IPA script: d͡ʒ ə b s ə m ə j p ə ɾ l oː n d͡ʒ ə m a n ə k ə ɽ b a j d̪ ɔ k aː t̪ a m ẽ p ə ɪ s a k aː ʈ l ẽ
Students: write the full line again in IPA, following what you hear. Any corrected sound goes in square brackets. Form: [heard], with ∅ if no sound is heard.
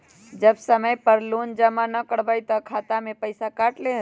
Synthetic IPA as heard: d͡ʒ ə b s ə m ə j p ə ɾ l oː n d͡ʒ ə m a n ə k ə ɽ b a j [t̪] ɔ [kʰ] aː t̪ a m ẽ p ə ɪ s a k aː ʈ l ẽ